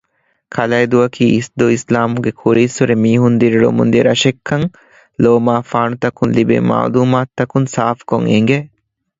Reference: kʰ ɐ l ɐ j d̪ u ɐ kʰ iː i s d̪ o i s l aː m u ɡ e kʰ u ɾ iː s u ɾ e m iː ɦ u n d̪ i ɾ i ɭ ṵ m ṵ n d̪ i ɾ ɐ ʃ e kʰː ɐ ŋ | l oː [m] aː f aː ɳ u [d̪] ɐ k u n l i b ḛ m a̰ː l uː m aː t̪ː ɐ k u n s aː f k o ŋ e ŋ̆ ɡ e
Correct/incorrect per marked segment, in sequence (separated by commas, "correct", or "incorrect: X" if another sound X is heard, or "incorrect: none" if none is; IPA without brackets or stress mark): correct, incorrect: t̪